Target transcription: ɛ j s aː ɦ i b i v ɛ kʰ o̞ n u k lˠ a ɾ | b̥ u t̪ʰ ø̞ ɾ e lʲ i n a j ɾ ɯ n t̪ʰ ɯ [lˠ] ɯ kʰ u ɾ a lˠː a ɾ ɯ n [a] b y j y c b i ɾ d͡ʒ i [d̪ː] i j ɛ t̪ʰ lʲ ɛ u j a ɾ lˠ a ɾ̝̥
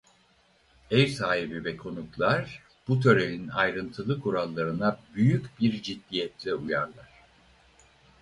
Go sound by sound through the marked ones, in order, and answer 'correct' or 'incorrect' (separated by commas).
correct, correct, correct